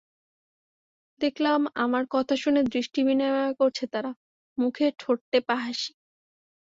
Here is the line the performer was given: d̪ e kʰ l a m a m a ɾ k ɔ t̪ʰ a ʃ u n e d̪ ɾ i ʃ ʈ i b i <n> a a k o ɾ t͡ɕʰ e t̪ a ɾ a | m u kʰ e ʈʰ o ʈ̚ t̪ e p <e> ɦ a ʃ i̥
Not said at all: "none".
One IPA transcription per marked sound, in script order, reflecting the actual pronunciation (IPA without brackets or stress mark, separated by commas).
n, a